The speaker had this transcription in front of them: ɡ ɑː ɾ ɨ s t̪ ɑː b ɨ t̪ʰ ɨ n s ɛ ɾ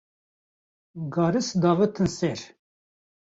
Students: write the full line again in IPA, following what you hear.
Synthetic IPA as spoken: ɡ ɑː ɾ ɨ s d̪ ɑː v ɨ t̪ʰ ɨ n s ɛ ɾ